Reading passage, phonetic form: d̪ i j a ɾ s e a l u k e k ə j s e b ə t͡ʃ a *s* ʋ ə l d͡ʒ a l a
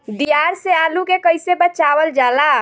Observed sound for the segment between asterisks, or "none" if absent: none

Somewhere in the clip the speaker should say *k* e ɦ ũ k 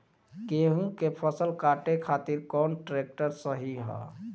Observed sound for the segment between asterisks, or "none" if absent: k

